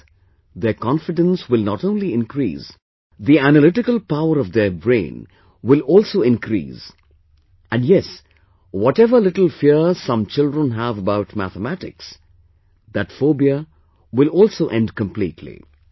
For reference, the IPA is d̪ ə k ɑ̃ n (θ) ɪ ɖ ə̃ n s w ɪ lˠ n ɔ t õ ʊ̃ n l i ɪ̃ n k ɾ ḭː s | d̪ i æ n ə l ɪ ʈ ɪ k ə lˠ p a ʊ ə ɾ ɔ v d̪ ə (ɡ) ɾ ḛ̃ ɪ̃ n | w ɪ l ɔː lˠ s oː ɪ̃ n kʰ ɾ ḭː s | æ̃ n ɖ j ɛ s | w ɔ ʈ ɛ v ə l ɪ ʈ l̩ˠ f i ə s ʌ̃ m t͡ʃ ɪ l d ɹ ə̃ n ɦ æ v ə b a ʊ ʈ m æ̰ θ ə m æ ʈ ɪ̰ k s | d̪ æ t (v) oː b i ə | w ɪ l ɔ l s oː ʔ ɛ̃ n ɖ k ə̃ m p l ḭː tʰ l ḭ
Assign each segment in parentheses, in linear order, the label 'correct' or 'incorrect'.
incorrect: f, incorrect: b, incorrect: f

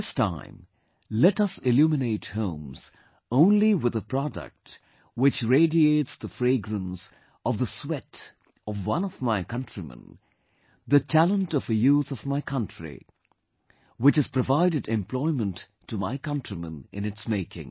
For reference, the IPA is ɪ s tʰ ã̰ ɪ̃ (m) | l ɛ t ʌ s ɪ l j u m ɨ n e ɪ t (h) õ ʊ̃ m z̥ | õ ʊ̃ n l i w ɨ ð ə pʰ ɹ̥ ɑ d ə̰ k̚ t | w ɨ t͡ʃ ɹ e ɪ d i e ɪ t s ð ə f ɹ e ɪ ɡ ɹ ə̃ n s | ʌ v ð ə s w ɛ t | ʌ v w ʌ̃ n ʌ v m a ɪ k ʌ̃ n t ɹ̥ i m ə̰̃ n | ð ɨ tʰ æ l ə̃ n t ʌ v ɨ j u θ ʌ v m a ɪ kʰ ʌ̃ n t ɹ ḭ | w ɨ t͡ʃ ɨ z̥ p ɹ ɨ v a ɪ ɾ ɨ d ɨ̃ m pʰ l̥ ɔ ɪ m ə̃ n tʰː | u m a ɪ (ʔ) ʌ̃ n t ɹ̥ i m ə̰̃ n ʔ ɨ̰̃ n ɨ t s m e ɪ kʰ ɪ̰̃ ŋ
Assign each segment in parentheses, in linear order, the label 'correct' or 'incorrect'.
correct, correct, incorrect: k

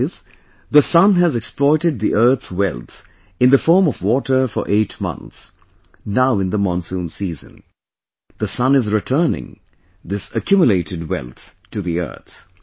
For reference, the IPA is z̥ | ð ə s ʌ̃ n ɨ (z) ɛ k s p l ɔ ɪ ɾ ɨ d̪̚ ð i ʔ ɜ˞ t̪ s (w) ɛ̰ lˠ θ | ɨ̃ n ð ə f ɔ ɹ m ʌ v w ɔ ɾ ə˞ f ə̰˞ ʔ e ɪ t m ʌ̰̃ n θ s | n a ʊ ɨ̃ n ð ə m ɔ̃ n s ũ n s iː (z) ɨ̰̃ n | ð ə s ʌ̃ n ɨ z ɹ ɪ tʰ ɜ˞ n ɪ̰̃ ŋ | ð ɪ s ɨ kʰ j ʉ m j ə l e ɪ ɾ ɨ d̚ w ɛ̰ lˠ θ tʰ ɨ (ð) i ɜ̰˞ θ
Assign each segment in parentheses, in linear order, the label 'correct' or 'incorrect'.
correct, correct, correct, correct

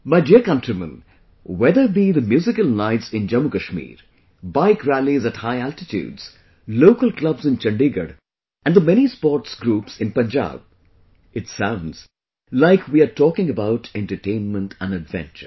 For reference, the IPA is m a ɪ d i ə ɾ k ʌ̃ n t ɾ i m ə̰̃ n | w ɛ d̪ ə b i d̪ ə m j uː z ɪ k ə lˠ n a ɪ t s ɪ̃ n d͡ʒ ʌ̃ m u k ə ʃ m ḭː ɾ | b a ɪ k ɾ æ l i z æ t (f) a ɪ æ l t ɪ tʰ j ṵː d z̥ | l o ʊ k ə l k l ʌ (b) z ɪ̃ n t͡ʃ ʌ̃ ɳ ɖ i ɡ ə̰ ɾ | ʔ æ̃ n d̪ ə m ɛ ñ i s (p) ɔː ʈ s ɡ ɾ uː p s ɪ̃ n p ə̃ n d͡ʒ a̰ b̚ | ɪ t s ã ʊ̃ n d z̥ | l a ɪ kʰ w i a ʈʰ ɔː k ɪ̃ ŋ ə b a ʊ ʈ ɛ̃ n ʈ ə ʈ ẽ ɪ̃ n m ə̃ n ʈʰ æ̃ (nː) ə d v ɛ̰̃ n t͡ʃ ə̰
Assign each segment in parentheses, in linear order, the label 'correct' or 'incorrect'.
incorrect: h, correct, correct, incorrect: n

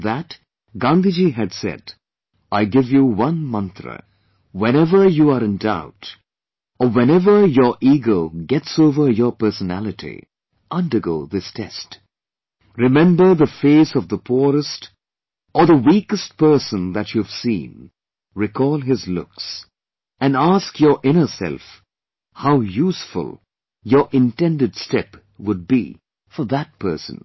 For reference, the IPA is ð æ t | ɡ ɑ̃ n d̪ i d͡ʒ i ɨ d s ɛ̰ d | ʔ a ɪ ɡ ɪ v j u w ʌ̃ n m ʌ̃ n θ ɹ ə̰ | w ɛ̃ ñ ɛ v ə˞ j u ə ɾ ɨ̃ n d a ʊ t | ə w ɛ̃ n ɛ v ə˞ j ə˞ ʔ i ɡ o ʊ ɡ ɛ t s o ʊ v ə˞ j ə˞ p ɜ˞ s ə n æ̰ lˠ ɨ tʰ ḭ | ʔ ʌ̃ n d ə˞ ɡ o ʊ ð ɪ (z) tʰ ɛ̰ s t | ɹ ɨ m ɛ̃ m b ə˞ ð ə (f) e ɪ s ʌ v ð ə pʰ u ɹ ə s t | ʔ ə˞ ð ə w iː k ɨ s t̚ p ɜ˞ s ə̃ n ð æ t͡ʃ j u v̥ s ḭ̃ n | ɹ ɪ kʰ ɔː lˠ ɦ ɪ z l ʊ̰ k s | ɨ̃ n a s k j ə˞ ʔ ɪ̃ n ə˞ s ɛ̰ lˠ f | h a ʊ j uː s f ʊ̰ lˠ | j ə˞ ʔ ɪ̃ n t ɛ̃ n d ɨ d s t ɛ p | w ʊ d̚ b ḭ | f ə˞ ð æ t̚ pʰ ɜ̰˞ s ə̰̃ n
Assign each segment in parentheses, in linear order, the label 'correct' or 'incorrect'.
incorrect: s, correct

